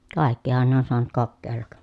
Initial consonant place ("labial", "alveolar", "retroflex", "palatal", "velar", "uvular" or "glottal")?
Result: velar